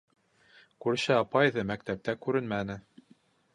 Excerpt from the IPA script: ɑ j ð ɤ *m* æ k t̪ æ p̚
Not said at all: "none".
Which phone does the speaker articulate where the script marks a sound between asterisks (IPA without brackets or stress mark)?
m